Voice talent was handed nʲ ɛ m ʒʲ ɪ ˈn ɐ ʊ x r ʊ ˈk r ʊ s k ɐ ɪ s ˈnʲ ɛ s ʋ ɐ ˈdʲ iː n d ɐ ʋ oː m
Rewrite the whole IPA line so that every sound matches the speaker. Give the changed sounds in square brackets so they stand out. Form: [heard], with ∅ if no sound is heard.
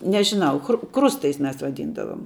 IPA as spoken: nʲ ɛ [∅] ʒʲ ɪ ˈn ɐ ʊ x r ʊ ˈk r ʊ s [t] ɐ ɪ s [ˈmʲ] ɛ s ʋ ɐ ˈdʲ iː n d ɐ ʋ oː m